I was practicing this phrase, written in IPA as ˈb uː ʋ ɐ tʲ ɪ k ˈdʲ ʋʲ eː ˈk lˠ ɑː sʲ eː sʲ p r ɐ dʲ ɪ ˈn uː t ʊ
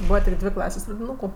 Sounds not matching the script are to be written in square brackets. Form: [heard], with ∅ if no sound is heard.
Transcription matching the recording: ˈb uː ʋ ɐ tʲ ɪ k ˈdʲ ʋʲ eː ˈk lˠ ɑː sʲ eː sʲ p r ɐ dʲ ɪ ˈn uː [k] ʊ